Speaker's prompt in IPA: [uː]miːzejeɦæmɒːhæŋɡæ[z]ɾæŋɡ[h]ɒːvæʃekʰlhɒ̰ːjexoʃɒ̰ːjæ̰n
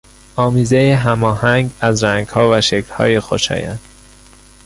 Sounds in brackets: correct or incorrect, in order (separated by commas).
incorrect, correct, correct